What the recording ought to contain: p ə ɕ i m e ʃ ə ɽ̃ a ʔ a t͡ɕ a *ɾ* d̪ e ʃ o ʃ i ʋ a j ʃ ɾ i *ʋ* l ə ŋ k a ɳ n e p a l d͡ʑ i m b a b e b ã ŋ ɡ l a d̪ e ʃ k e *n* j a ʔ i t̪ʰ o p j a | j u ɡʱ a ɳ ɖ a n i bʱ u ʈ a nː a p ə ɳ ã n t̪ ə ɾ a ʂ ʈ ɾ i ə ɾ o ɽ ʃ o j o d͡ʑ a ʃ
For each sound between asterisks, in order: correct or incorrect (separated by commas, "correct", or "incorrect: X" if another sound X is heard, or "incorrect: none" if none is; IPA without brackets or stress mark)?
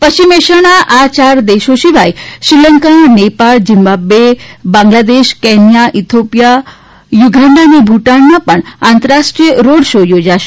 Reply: correct, incorrect: none, correct